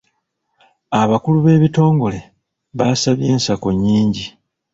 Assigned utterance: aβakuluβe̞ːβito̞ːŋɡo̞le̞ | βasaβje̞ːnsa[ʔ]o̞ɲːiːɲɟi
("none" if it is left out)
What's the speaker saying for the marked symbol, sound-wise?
k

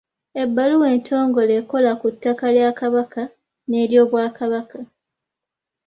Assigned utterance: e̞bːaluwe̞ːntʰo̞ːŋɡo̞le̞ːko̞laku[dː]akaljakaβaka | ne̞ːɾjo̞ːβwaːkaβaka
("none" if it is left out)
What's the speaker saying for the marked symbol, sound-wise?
tː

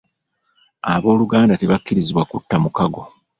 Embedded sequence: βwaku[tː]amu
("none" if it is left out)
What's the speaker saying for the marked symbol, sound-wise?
tː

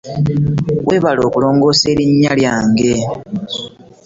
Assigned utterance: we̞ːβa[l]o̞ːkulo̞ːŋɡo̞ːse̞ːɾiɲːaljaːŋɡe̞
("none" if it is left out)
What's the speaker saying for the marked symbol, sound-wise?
l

